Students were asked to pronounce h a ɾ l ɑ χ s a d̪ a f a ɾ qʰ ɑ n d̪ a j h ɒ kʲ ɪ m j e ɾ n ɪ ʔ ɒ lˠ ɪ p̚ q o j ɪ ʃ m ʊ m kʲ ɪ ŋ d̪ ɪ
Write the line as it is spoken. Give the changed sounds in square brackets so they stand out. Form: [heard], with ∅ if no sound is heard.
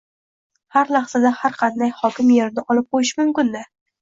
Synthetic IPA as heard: h a ɾ l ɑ χ s a d̪ a [h] a ɾ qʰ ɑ n d̪ a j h ɒ kʲ ɪ m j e ɾ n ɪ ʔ ɒ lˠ ɪ p̚ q o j ɪ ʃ m ʊ m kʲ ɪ [n] d̪ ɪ